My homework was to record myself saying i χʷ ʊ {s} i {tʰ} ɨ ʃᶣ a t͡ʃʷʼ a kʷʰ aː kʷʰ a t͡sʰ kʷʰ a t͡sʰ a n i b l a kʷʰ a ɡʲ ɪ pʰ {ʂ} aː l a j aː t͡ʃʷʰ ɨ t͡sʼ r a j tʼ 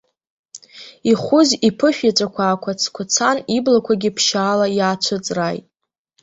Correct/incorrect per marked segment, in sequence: incorrect: z, incorrect: pʰ, incorrect: ʃ

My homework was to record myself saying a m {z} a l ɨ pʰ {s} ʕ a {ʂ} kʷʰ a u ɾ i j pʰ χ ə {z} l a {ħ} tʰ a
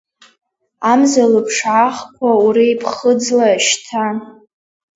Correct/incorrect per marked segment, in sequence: correct, incorrect: ʂ, incorrect: χ, incorrect: d͡z, incorrect: ʃ

